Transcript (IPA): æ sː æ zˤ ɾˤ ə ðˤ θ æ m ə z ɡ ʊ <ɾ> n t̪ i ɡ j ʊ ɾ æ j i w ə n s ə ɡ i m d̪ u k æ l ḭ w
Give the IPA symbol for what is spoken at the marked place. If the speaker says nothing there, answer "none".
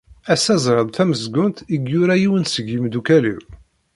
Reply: none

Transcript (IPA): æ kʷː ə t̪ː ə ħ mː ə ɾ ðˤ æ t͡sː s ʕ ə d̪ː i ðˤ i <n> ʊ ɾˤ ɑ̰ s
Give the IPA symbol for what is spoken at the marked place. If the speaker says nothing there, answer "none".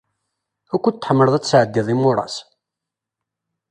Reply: m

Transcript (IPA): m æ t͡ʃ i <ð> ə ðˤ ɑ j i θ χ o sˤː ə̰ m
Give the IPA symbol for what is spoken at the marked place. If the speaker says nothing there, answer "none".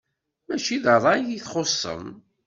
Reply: ð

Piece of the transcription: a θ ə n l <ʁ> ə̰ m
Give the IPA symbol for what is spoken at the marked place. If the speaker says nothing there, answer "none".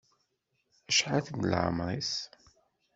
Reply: ʕ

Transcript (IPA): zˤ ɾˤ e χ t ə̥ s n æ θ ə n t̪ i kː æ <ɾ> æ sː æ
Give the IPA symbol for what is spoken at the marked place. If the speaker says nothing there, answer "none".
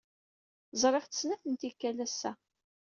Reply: l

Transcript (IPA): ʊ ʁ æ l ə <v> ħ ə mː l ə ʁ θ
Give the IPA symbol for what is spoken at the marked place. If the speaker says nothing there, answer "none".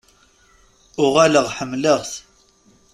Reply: ʁ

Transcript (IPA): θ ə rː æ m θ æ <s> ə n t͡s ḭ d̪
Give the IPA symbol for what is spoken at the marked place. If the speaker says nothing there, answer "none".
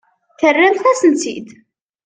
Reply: s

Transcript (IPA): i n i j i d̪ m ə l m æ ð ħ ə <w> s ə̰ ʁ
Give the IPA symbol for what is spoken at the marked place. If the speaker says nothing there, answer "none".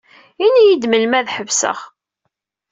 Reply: v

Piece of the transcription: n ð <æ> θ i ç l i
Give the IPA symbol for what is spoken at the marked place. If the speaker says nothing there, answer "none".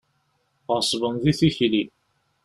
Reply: i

